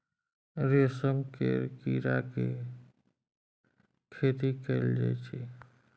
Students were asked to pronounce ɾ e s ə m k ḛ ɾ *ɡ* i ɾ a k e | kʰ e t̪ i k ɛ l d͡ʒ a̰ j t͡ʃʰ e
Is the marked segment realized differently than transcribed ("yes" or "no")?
yes